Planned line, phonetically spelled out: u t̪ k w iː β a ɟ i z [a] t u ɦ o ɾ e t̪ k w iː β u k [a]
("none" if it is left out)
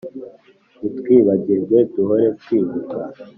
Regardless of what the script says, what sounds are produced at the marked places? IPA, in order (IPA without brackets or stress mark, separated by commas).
e, a